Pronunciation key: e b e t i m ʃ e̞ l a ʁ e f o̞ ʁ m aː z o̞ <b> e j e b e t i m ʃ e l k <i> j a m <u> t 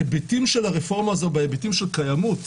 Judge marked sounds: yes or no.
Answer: yes, no, yes

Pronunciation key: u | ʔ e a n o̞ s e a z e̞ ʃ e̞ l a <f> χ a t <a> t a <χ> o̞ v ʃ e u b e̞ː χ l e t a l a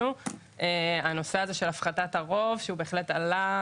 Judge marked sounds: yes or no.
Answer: yes, yes, no

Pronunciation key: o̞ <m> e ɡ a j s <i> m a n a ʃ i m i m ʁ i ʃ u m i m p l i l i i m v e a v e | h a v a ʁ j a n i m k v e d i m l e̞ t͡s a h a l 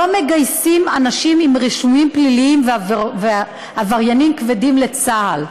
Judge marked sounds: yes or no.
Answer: yes, yes

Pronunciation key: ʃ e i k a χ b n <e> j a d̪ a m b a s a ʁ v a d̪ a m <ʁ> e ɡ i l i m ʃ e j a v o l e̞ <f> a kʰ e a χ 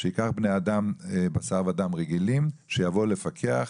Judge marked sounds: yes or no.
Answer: yes, yes, yes

